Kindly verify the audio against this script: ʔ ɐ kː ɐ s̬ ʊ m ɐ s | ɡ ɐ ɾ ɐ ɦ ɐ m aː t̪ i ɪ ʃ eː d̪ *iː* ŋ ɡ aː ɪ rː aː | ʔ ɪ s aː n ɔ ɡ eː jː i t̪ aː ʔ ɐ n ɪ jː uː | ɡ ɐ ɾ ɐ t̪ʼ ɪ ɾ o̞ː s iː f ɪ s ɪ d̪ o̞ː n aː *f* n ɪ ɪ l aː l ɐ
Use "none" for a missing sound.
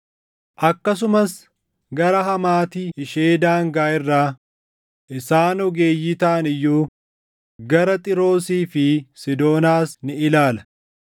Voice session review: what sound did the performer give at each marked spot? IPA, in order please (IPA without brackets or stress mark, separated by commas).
aː, s